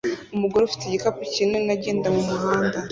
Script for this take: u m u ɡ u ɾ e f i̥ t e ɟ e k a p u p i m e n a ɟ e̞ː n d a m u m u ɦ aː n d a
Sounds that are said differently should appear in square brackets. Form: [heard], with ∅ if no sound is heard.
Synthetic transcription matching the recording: u m u ɡ [o] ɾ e f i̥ t e ɟ [i] k a p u [c] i [n] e n a ɟ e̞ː n d a m u m u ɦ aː n d a